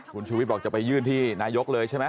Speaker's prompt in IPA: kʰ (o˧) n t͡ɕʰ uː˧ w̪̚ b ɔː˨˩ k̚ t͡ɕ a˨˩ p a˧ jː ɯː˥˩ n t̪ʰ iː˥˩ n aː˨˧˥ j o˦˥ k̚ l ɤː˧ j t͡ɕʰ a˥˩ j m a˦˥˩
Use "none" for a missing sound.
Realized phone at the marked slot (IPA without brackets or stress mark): u˧